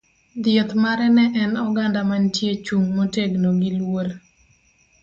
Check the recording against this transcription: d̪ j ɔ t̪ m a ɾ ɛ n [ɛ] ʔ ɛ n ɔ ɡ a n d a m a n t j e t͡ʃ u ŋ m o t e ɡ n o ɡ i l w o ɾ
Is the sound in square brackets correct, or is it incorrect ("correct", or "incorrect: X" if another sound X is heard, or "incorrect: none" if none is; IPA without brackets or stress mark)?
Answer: correct